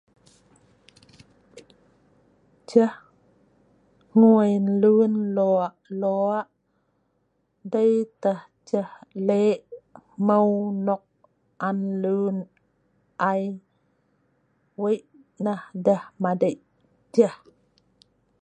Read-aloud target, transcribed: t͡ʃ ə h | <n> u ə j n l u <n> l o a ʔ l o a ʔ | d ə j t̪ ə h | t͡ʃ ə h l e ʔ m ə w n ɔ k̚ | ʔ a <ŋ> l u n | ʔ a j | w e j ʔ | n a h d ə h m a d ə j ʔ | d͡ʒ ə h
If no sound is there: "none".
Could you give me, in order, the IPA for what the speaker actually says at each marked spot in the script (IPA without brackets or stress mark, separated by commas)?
ŋ, n, n